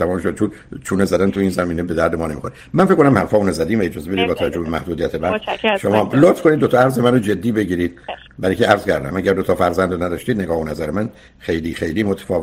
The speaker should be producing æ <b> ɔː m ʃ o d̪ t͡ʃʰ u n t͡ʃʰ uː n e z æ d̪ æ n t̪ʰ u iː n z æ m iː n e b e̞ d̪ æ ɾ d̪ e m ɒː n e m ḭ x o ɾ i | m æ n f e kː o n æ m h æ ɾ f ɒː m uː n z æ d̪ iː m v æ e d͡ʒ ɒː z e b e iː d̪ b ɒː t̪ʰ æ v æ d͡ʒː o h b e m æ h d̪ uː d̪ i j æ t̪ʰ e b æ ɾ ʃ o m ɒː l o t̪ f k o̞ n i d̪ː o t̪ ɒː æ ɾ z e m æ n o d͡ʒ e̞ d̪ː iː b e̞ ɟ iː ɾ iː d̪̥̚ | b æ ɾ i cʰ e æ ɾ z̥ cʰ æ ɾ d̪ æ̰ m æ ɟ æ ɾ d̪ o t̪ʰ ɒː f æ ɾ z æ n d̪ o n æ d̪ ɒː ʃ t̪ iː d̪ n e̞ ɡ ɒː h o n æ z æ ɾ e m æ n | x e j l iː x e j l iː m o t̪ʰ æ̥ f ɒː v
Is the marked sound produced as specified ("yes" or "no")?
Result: no